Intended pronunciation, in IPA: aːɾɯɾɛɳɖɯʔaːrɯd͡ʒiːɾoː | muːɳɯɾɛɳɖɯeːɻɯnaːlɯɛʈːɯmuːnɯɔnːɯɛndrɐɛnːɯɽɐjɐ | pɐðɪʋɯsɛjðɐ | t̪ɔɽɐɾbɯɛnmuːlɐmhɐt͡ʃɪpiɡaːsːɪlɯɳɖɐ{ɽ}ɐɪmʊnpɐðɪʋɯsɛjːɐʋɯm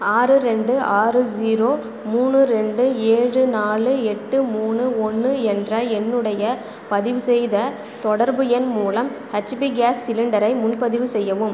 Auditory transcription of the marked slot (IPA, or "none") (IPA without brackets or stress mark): ɾ